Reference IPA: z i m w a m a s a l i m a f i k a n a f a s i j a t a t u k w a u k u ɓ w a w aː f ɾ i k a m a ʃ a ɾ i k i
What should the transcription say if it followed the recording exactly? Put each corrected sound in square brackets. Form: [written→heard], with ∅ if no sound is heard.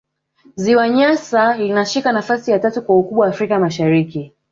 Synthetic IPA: z i [m→∅] w a [m→ɲ] a s a l i [m→n] a [f→ʃ] i k a n a f a s i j a t a t u k w a u k u ɓ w a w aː f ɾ i k a m a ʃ a ɾ i k i